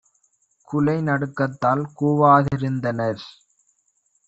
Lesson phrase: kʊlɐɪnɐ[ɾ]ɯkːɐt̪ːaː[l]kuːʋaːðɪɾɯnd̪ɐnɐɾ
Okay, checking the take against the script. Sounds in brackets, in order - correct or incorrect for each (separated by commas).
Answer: incorrect, correct